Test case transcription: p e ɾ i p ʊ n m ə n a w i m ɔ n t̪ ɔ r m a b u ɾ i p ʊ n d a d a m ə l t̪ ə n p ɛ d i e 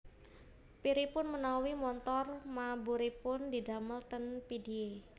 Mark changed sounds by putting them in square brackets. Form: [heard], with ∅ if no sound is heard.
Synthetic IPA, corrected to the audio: p [i] ɾ i p ʊ n m ə n a w i m ɔ n t̪ ɔ r m a b u ɾ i p ʊ n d [i] d a m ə l t̪ ə n p [i] d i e